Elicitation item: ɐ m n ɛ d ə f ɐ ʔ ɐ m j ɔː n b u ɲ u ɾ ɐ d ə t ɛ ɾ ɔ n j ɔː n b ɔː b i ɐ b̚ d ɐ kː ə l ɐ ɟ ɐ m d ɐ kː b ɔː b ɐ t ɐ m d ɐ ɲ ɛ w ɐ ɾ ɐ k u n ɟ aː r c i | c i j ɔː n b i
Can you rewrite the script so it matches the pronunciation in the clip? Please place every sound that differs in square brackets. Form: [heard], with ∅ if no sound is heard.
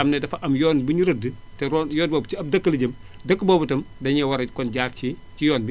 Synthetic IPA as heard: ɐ m n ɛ d [ɐ] f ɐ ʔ ɐ m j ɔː n b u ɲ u ɾ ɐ d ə t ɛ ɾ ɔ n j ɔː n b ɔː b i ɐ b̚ d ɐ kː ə l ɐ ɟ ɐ m d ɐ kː b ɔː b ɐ t ɐ m d ɐ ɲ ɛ w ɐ ɾ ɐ k [ɔ] n ɟ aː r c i | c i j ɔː n b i